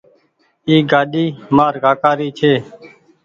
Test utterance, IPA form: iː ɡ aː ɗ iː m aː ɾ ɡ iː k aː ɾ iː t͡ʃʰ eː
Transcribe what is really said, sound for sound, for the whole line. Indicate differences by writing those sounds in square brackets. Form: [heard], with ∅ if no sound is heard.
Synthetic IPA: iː ɡ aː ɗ iː m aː ɾ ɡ [aː] k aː ɾ iː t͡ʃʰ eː